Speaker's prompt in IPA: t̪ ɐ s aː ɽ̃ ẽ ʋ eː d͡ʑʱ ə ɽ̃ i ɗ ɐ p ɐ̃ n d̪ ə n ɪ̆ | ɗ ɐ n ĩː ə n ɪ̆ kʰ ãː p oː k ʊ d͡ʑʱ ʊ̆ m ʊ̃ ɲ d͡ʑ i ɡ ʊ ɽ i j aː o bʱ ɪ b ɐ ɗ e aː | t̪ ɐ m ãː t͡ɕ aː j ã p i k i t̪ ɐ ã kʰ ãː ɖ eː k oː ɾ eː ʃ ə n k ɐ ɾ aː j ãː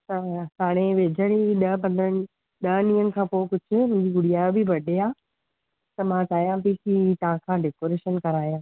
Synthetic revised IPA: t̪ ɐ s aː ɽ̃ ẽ ʋ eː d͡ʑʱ ə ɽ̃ i ɗ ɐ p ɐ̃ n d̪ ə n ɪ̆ | ɗ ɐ n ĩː ə n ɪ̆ kʰ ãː p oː k ʊ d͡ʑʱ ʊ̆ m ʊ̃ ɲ d͡ʑ i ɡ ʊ ɽ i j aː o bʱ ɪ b ɐ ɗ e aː | t̪ ɐ m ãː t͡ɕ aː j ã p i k i t̪ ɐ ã kʰ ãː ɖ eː k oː ɾ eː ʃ ə n k ɐ ɾ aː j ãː